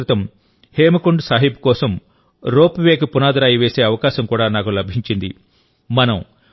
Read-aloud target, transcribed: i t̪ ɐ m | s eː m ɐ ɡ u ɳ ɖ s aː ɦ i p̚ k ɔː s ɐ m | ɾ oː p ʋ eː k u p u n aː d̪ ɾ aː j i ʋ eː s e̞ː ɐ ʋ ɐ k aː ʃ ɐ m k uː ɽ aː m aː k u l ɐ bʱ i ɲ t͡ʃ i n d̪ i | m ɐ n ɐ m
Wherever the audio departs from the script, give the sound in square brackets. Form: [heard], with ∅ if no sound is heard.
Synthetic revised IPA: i t̪ ɐ m | [h] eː m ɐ [k] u ɳ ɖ s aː ɦ i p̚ k ɔː s ɐ m | ɾ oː p ʋ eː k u p u n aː d̪ ɾ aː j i ʋ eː s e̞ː ɐ ʋ ɐ k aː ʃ ɐ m k uː ɽ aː [n] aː k u l ɐ bʱ i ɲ t͡ʃ i n d̪ i | m ɐ n ɐ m